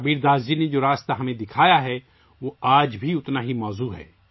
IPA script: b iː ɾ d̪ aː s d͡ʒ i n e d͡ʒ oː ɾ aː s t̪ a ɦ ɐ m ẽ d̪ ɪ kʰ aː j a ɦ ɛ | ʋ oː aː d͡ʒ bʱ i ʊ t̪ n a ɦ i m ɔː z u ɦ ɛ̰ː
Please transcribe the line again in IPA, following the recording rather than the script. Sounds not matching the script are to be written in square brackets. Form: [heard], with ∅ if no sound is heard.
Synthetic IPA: b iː ɾ d̪ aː [z] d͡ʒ i n e d͡ʒ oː ɾ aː s t̪ a ɦ ɐ m ẽ d̪ ɪ kʰ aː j a ɦ ɛ | ʋ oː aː d͡ʒ bʱ i ʊ t̪ n a ɦ i m ɔː z u ɦ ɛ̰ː